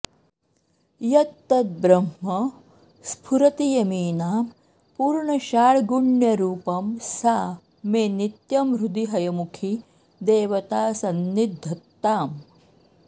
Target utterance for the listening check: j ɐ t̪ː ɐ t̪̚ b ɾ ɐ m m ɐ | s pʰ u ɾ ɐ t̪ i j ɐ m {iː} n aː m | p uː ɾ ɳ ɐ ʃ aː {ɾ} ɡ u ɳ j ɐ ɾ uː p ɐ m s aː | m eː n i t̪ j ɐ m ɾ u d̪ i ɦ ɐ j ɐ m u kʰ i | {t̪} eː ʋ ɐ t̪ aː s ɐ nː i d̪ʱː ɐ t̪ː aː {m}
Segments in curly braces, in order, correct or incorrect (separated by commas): correct, incorrect, incorrect, correct